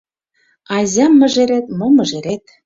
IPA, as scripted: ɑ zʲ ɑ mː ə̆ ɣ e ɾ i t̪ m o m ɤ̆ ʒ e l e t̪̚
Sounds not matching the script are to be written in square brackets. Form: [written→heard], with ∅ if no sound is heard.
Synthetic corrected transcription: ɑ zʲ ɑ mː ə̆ [ɣ→ʒ] e ɾ [i→e] t̪ m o m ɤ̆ ʒ e [l→ɾ] e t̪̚